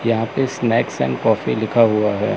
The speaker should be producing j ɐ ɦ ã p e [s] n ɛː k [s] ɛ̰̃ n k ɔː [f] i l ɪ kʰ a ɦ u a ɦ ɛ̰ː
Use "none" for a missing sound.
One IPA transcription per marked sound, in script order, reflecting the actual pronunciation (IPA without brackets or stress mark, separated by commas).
s, s, f